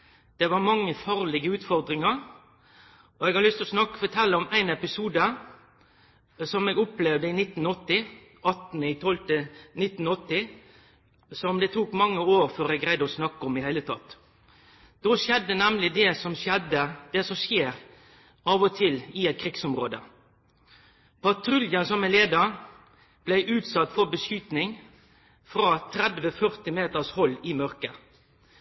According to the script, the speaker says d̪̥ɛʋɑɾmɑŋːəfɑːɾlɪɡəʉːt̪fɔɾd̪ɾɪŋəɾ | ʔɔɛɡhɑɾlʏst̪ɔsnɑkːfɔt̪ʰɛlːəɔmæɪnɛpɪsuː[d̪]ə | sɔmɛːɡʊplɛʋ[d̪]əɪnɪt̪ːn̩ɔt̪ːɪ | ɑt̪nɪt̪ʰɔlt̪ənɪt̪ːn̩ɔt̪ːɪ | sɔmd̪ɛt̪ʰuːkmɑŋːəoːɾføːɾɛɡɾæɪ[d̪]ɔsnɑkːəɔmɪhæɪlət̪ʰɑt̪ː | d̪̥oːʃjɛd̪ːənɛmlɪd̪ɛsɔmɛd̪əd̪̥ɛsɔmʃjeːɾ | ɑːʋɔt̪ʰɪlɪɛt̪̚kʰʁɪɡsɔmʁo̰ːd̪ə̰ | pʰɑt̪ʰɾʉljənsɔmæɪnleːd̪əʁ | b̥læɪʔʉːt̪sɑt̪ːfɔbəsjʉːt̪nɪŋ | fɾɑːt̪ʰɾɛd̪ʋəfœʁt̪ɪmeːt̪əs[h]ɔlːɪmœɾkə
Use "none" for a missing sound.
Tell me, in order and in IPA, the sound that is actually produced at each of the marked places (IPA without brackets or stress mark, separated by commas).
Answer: d̪, d̪, d̪, h